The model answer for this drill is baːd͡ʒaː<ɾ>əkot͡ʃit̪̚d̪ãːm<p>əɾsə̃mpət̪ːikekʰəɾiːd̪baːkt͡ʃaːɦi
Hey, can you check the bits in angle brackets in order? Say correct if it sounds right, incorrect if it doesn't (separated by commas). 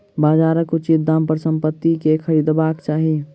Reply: correct, correct